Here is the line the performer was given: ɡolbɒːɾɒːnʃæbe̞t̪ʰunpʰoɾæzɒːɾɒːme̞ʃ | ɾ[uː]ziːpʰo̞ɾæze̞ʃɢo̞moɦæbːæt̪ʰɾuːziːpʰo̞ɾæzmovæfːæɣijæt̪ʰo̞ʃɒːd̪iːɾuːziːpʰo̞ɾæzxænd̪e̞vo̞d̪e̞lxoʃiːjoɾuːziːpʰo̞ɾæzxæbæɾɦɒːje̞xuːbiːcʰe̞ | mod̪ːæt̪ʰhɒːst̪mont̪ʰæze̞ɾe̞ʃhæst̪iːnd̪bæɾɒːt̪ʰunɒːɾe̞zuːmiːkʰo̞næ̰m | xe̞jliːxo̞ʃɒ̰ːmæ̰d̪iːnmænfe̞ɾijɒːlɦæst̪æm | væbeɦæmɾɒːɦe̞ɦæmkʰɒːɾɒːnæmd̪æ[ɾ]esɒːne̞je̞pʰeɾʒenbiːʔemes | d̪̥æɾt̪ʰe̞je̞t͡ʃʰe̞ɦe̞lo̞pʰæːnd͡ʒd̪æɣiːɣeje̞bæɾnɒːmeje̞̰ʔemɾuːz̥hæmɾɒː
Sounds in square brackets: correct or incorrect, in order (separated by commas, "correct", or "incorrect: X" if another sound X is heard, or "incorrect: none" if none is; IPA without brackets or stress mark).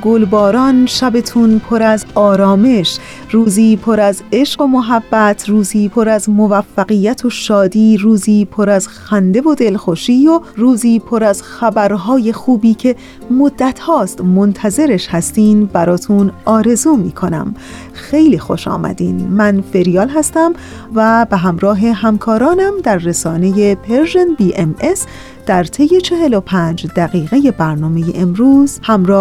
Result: correct, incorrect: ɾː